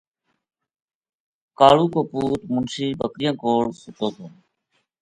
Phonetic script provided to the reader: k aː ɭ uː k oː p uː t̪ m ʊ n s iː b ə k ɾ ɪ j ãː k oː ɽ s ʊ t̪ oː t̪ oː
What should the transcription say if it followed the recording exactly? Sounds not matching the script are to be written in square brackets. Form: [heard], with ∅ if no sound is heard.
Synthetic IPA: k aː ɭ uː k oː p uː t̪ m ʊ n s iː b ə k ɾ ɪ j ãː k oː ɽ s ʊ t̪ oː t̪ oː